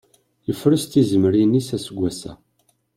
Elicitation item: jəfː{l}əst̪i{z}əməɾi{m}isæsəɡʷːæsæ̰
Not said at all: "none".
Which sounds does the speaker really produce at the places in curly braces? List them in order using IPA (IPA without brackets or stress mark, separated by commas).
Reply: ɾ, z, n